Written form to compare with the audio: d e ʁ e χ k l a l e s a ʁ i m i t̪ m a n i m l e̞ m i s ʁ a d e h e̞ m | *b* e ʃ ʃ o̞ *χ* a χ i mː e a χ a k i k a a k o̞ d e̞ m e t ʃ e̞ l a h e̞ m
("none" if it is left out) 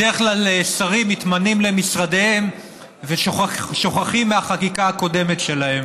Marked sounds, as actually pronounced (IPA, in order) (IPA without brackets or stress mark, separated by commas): v, χ